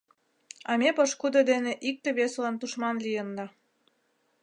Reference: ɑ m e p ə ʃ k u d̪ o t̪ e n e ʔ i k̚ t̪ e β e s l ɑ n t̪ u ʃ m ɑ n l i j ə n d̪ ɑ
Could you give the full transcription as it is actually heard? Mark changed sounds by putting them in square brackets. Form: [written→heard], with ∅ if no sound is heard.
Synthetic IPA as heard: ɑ m e p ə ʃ k u d̪ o [t̪→d̪] e n e ʔ i k̚ t̪ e β e s l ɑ n t̪ u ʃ m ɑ n l i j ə n d̪ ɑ